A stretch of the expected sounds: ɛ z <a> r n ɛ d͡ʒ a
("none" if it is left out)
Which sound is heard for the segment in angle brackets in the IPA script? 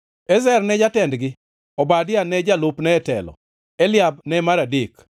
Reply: ɛ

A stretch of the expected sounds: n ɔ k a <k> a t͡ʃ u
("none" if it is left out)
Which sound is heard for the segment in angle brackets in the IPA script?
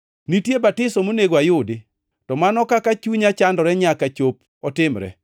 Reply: k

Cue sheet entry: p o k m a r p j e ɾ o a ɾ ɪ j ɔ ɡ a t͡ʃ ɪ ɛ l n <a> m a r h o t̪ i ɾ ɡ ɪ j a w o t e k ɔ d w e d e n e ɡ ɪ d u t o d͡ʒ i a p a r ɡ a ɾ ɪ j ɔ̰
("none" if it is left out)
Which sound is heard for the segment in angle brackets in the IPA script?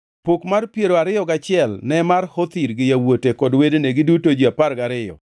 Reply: ɛ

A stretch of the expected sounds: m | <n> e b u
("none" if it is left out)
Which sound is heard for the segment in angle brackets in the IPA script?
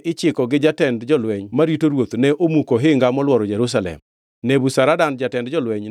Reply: n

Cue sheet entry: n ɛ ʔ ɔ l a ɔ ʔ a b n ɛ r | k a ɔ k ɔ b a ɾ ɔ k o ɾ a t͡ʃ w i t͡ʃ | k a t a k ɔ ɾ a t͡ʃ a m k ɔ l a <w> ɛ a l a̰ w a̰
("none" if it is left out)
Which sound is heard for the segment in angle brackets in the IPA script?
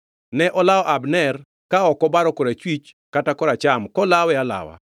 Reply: w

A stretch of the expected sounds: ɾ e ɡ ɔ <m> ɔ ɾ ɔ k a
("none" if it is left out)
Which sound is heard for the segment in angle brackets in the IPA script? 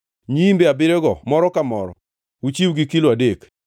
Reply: m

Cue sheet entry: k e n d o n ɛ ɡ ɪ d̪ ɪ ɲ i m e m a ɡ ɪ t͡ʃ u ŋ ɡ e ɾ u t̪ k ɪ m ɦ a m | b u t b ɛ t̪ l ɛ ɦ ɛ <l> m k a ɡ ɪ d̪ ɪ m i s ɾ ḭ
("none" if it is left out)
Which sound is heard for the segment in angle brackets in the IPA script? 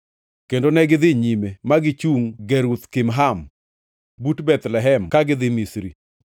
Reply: none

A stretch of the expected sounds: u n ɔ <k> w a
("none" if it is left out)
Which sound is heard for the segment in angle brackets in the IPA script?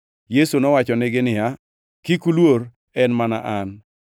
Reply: none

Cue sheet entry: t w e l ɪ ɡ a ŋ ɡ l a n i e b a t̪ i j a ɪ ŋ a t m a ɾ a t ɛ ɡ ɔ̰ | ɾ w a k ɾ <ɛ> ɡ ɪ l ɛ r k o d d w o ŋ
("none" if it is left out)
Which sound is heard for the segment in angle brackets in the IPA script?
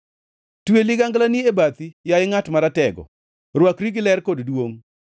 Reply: i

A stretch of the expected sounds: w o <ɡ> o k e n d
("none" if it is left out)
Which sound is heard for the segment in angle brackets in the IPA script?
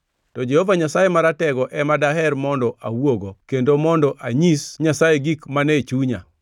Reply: ɡ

